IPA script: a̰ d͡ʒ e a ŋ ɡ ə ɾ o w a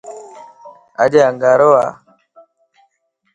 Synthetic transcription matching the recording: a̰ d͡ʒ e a ŋ ɡ a ɾ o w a